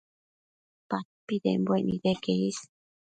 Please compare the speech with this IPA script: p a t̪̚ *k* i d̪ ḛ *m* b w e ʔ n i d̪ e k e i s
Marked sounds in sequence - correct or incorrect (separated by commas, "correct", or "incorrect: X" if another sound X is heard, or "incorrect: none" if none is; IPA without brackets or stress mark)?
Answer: incorrect: p, correct